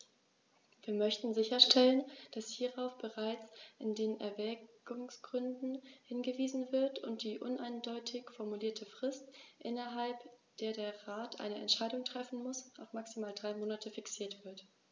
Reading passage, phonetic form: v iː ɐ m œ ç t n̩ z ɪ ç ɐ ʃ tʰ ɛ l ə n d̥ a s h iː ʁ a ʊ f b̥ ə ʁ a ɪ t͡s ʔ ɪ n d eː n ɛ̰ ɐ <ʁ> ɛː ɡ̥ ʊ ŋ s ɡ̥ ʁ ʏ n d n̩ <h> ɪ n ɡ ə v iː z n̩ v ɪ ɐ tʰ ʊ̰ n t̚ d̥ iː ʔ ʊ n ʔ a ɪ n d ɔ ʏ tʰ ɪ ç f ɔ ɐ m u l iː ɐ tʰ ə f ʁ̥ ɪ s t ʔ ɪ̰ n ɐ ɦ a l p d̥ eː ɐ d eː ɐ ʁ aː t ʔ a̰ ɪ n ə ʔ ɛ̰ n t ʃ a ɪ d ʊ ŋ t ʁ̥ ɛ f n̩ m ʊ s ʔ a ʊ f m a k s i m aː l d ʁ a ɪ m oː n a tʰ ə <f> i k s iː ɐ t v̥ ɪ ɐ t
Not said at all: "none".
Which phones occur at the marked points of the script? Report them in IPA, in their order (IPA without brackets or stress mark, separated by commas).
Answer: v, h, f